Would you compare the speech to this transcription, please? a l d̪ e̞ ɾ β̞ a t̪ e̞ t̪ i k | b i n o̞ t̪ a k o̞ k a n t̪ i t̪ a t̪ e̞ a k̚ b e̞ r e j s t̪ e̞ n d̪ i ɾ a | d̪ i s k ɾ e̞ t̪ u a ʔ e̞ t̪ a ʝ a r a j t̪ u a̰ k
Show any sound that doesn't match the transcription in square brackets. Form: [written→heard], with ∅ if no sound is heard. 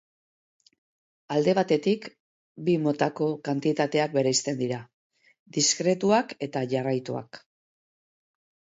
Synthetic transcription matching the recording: a l d̪ e̞ [ɾ→∅] β̞ a t̪ e̞ t̪ i k | b i [n→m] o̞ t̪ a k o̞ k a n t̪ i t̪ a t̪ e̞ a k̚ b e̞ [r→ɾ] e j s t̪ e̞ n d̪ i ɾ a | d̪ i s k ɾ e̞ t̪ u a [ʔ→k] e̞ t̪ a ʝ a r a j t̪ u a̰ k